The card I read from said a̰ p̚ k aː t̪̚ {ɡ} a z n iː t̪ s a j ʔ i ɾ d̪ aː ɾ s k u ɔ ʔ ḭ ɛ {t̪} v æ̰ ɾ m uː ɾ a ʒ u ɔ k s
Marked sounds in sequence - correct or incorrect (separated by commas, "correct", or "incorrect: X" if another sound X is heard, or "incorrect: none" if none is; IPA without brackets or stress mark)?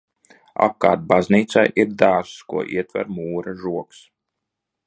incorrect: b, correct